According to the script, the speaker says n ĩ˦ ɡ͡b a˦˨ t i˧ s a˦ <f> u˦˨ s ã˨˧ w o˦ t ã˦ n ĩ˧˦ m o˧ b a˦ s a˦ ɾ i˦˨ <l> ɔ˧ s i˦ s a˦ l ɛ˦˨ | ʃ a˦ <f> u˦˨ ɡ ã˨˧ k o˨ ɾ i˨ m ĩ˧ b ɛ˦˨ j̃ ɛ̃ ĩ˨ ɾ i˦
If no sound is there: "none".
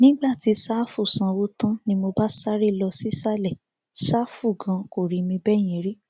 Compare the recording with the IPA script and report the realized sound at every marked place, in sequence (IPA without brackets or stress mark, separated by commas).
f, l, f